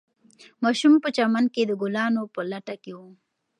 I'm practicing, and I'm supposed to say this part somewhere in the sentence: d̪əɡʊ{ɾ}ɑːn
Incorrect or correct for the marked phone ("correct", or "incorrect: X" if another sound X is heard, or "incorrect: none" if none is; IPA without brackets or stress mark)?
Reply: incorrect: l